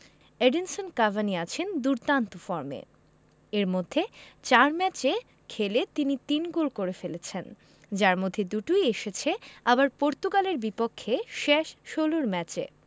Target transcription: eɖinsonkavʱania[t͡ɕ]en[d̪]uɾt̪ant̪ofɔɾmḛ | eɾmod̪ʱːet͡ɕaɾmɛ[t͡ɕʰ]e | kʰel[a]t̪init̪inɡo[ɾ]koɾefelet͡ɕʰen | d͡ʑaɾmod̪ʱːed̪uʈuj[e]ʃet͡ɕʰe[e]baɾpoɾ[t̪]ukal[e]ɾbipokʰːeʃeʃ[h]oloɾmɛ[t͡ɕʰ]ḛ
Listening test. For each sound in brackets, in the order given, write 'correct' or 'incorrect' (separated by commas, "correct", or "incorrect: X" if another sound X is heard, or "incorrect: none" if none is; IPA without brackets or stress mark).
incorrect: t͡ɕʰ, correct, incorrect: t͡ɕ, incorrect: e, incorrect: l, correct, incorrect: a, correct, correct, incorrect: ʃ, incorrect: t͡ɕ